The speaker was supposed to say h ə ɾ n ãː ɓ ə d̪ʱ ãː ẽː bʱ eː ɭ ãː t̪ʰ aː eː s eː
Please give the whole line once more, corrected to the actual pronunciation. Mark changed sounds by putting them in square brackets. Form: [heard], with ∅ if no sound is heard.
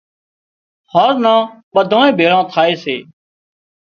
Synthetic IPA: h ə ɾ n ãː ɓ ə d̪ʱ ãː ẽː bʱ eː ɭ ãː t̪ʰ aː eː s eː